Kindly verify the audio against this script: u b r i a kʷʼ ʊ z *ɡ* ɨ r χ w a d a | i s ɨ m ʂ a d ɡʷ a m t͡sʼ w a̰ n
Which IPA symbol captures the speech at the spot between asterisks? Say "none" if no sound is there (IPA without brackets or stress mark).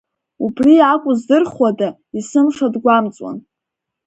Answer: d